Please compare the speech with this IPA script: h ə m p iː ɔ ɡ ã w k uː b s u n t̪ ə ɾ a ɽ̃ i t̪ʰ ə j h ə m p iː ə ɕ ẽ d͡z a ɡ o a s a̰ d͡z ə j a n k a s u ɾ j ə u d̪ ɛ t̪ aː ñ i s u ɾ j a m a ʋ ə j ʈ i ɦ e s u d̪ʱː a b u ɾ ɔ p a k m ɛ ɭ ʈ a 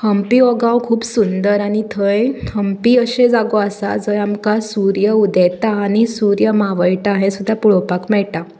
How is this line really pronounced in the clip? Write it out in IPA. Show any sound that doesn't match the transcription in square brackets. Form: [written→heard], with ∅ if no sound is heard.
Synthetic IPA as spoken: h ə m p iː ɔ ɡ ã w [k→kʰ] uː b s u n [t̪→d̪] ə ɾ a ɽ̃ i t̪ʰ ə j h ə m p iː ə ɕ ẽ d͡z a ɡ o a s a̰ d͡z ə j a [n→m] k a s u ɾ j ə u d̪ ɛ t̪ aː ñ i s u ɾ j [a→ə] m a ʋ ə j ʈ [i→a] ɦ e s u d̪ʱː a [b→p] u [ɾ→ɭ] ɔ p a k m ɛ ɭ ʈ a